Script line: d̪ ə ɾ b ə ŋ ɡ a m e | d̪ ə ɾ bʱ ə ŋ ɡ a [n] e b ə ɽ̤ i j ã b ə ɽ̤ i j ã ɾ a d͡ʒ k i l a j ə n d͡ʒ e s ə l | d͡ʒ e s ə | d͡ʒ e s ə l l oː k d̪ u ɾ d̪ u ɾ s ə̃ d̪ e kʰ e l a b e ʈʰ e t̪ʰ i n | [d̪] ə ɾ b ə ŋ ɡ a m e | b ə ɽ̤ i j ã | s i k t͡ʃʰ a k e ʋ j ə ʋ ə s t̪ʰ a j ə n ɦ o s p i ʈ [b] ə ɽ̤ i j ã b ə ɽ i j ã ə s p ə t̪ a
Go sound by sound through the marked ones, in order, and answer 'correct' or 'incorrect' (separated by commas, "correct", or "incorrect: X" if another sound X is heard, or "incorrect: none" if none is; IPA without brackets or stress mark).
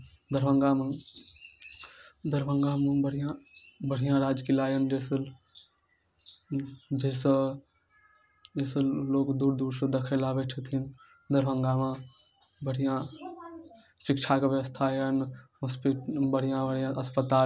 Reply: incorrect: m, correct, correct